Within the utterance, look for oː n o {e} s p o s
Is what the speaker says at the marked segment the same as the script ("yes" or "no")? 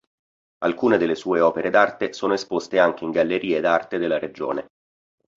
yes